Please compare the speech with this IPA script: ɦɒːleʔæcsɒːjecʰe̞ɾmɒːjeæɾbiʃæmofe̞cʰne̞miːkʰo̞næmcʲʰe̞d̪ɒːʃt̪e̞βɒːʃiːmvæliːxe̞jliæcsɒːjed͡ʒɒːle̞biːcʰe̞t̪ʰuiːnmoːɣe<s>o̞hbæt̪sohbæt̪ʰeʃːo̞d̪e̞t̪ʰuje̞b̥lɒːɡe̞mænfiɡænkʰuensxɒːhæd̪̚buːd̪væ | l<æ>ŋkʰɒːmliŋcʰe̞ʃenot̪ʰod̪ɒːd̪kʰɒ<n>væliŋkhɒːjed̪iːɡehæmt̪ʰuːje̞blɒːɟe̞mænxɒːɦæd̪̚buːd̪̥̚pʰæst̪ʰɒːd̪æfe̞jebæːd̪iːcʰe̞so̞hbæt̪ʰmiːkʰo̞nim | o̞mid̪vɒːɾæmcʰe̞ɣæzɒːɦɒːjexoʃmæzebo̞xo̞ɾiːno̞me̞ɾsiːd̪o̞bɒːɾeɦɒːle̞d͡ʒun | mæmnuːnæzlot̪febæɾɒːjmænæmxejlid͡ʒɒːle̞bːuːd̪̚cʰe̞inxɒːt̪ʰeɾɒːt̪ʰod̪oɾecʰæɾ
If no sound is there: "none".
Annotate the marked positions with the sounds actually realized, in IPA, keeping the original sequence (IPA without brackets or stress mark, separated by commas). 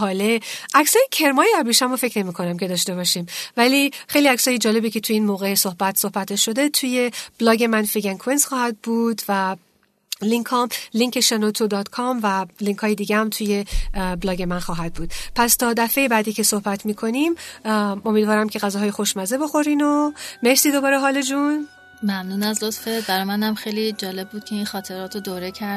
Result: s, i, m